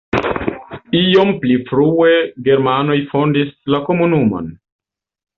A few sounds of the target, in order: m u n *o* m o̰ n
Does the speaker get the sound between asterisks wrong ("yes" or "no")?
yes